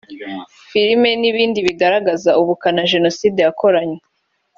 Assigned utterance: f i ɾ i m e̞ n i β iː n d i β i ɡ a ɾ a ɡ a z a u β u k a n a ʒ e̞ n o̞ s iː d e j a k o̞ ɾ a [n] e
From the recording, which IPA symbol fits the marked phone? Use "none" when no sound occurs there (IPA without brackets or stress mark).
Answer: ɲ